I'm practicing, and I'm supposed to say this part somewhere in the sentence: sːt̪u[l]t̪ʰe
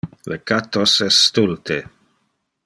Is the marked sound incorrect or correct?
correct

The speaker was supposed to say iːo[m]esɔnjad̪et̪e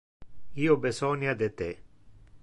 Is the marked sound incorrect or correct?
incorrect: b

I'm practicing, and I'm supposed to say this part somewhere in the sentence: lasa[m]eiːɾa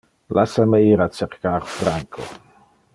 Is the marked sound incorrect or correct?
correct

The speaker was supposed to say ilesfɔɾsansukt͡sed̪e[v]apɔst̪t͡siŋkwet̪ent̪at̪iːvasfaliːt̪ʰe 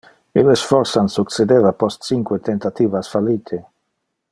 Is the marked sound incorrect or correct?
correct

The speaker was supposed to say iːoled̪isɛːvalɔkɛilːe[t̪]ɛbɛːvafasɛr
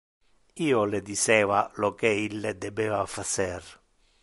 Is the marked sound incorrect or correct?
incorrect: d̪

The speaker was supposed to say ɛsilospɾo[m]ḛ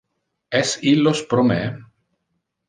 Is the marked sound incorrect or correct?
correct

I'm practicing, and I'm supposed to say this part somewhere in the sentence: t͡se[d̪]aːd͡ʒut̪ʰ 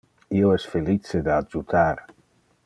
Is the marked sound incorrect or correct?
correct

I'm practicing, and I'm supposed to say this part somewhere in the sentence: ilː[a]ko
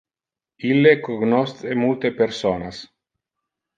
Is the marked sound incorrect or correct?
incorrect: e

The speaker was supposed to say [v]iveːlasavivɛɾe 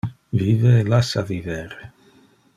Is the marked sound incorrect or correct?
correct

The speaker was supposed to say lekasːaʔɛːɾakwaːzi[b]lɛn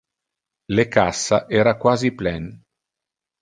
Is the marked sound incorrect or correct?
incorrect: p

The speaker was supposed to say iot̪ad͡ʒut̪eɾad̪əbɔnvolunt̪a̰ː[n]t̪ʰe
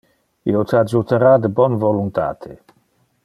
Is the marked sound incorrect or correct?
incorrect: none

